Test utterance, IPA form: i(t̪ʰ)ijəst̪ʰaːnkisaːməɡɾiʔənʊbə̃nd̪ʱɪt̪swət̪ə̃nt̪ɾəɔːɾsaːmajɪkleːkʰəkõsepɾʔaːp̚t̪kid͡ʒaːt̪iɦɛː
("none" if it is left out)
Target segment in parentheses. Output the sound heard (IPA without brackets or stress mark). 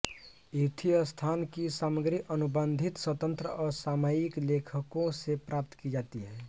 t̪ʰ